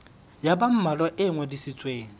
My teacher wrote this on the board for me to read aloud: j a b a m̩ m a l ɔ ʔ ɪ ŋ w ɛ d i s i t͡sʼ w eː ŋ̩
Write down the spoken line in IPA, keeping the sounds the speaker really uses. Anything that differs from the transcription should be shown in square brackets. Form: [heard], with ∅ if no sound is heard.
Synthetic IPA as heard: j a b a m̩ m a l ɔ ʔ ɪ ŋ w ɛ d i s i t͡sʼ w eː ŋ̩